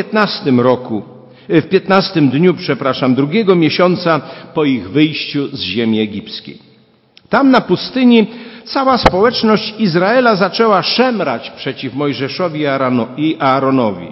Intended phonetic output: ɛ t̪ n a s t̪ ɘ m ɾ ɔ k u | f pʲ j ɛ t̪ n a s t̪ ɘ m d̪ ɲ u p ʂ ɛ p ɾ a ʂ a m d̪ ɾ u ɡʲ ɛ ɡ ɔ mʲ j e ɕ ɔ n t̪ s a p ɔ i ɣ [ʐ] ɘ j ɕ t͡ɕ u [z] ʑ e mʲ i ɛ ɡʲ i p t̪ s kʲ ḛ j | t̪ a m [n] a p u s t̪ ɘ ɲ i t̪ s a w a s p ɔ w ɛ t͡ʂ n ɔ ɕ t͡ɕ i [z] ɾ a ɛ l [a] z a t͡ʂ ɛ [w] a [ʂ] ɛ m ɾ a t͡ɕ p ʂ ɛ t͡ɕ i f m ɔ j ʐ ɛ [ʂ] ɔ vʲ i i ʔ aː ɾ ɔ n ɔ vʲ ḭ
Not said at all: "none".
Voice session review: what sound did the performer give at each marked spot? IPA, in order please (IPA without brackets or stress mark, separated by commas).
v, z, n, z, a, w, ʂ, ʂ